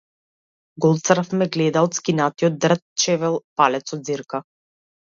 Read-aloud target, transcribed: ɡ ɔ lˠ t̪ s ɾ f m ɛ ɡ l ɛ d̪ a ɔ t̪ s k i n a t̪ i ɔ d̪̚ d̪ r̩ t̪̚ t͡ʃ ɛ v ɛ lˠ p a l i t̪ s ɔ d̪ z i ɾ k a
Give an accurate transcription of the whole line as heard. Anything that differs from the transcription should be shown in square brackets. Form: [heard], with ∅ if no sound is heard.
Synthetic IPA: ɡ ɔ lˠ t̪ s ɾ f m ɛ ɡ l ɛ d̪ a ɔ t̪ s k i n a t̪ i ɔ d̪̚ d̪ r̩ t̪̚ t͡ʃ ɛ v ɛ lˠ p a l [ɛ] t̪ s ɔ d̪ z i ɾ k a